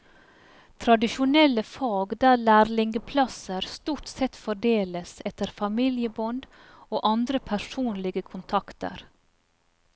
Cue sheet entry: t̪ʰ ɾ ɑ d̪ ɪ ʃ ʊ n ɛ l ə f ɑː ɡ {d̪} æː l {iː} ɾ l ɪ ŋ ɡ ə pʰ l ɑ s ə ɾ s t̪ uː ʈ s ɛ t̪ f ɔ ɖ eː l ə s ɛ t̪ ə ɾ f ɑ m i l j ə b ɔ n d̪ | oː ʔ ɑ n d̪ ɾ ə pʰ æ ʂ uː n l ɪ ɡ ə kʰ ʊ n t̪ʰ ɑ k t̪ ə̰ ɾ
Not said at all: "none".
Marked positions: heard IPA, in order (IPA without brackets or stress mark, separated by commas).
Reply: d̪, æː